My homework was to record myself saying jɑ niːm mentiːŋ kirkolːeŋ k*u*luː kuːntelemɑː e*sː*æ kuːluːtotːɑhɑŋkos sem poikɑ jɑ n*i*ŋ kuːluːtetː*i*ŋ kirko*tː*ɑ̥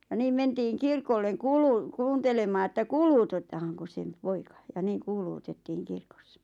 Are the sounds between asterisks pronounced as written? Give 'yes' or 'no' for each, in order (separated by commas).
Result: no, no, no, no, no